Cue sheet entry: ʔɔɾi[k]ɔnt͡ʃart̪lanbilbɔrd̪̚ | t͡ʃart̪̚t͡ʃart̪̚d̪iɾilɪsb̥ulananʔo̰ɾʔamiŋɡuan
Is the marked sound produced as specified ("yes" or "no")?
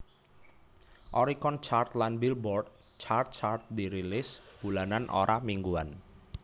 yes